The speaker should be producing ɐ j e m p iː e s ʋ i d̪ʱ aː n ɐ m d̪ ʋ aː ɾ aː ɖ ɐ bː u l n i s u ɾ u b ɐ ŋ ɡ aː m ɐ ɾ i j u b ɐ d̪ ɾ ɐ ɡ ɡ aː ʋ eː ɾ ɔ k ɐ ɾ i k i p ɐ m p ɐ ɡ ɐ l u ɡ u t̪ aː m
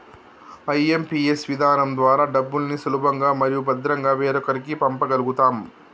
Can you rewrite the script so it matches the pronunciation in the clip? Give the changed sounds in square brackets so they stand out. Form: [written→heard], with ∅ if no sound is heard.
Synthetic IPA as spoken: ɐ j e m p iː e s ʋ i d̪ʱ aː n ɐ m d̪ ʋ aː ɾ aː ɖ ɐ bː u l n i s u [ɾ→l] u b ɐ ŋ ɡ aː m ɐ ɾ i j u b ɐ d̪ ɾ ɐ [ɡ→ŋ] ɡ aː ʋ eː ɾ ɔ k ɐ ɾ i k i p ɐ m p ɐ ɡ ɐ l u ɡ u t̪ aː m